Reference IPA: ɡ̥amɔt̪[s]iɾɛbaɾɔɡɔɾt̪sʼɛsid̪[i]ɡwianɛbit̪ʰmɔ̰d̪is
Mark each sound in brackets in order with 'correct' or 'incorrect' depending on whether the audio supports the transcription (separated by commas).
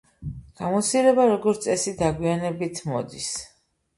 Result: correct, incorrect